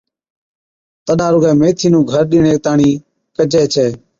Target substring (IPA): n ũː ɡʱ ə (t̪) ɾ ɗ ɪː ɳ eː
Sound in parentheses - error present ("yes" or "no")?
yes